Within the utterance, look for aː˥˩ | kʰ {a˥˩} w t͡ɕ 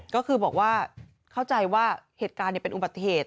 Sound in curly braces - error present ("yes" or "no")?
no